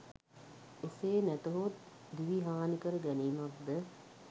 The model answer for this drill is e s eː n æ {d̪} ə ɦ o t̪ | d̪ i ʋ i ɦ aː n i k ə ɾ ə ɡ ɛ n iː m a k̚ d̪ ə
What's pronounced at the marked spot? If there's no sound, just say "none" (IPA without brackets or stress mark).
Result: t̪